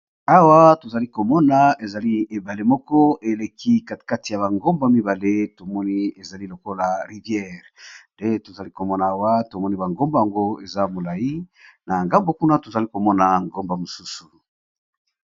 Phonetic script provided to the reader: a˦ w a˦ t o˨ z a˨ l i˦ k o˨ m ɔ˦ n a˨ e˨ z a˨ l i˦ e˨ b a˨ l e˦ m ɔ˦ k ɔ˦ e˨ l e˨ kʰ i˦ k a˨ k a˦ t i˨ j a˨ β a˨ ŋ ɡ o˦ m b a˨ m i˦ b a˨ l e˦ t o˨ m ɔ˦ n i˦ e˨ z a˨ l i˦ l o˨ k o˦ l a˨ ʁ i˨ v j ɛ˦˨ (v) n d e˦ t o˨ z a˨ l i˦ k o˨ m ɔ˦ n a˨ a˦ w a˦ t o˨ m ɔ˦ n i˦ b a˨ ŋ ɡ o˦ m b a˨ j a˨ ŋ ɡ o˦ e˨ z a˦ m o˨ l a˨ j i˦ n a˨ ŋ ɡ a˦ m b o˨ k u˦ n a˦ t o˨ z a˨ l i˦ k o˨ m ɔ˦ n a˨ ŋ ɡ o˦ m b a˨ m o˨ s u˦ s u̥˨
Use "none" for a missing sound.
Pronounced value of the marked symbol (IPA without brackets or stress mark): ʁ